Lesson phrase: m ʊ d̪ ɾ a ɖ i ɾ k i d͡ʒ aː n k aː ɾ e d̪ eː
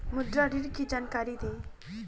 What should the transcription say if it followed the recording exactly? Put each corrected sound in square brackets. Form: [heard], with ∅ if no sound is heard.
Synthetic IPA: m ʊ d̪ ɾ a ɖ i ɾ k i d͡ʒ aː n k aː ɾ [i] d̪ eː